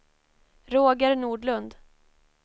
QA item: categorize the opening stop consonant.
plain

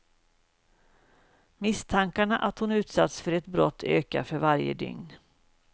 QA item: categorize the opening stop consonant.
aspirated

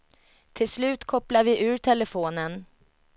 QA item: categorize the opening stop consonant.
aspirated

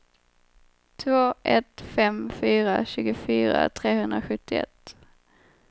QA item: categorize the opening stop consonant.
aspirated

